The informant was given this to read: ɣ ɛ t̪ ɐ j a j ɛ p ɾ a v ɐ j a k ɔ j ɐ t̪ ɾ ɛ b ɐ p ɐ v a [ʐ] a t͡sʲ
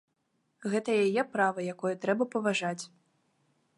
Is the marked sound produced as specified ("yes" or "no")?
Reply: yes